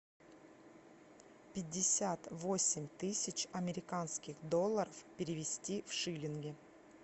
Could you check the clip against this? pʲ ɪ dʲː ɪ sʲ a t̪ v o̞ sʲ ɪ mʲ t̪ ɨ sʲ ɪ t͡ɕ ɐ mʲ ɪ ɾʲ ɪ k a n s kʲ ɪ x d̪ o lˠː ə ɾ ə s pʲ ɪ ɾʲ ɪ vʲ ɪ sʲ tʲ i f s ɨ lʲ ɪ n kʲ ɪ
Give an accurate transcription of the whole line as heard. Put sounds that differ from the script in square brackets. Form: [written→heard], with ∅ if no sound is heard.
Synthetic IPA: pʲ ɪ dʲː ɪ sʲ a t̪ v o̞ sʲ ɪ mʲ t̪ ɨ sʲ ɪ t͡ɕ ɐ mʲ ɪ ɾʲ ɪ k a n s kʲ ɪ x d̪ o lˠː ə ɾ ə [s→f] pʲ ɪ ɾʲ ɪ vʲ ɪ sʲ tʲ i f [s→ʂ] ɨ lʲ ɪ n [kʲ→ɡʲ] ɪ